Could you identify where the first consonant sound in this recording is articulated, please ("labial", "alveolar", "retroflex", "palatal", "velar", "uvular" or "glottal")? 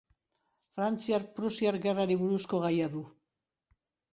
labial